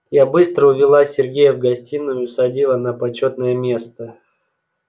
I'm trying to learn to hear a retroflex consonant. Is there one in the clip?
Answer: no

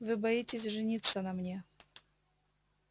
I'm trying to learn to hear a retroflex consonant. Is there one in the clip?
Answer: yes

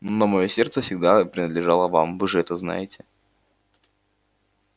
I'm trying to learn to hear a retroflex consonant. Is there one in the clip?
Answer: yes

